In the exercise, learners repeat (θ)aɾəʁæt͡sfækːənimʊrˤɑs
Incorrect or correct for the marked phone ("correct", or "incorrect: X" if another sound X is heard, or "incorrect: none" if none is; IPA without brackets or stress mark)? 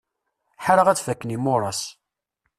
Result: incorrect: ħ